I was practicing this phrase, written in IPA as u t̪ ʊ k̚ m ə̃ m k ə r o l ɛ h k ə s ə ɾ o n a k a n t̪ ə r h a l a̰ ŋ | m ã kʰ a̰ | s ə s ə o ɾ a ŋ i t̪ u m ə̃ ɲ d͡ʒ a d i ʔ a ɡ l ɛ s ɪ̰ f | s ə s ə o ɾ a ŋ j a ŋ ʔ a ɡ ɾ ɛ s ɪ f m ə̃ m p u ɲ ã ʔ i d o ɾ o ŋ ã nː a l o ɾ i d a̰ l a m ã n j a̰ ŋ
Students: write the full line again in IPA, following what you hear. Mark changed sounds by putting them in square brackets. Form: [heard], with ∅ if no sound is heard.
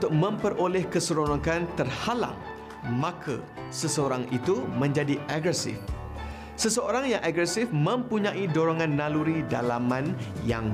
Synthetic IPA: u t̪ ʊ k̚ m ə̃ m [p] ə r o l ɛ h k ə s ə ɾ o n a k a n t̪ ə r h a l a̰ ŋ | m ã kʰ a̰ | s ə s ə o ɾ a ŋ i t̪ u m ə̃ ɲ d͡ʒ a d i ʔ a ɡ [ɾ] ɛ s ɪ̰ f | s ə s ə o ɾ a ŋ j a ŋ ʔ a ɡ ɾ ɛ s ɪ f m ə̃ m p u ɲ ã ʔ i d o ɾ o ŋ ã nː a l [u] ɾ i d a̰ l a m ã n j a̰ ŋ